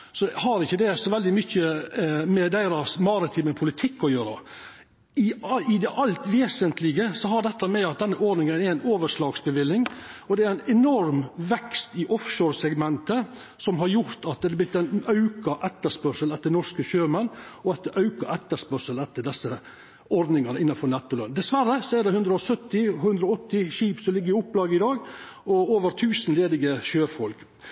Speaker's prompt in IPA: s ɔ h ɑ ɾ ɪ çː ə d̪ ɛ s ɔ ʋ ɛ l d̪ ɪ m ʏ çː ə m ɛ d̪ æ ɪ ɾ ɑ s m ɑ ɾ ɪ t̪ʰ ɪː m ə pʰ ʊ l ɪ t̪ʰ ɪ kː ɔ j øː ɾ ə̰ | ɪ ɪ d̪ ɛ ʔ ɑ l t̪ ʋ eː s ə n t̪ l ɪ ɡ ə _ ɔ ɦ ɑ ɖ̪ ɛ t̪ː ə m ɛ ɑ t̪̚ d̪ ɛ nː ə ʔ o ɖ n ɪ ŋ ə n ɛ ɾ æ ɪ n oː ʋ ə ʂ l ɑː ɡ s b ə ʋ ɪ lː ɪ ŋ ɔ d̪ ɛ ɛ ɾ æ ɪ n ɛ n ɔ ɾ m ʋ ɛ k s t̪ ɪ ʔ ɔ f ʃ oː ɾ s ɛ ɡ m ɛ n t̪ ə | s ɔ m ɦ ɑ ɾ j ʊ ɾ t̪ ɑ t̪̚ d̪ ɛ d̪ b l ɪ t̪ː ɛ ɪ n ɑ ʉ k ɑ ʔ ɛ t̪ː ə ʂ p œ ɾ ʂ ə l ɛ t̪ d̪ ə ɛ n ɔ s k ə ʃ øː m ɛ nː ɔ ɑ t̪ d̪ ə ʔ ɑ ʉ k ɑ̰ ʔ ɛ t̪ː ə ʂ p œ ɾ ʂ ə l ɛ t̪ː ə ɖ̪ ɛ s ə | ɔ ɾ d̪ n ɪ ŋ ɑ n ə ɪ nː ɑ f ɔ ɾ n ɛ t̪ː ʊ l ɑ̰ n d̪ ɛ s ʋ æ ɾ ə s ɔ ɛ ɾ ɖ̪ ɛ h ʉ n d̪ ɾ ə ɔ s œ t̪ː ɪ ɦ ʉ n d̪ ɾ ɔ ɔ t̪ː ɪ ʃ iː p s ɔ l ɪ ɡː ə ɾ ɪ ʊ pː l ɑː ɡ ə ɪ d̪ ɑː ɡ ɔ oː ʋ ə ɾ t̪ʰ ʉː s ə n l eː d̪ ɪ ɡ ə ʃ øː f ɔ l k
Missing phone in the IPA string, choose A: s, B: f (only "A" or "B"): A